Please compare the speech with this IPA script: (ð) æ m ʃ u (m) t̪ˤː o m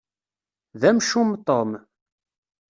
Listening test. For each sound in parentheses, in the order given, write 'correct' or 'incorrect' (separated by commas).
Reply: correct, correct